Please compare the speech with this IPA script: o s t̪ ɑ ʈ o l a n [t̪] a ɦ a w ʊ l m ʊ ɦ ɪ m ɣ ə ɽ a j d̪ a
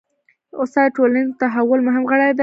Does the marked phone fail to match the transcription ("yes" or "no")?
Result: no